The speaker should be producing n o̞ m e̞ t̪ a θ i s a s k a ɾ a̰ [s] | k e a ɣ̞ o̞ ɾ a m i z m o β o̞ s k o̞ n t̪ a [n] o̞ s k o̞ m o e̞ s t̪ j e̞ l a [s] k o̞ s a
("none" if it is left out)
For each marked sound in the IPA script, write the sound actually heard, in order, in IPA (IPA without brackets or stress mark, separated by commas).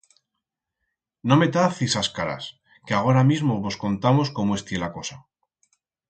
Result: s, m, none